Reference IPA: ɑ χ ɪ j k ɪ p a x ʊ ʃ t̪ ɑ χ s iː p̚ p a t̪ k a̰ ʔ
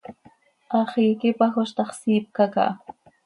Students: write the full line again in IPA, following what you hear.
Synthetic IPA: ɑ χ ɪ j k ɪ p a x ʊ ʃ t̪ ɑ χ s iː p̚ k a k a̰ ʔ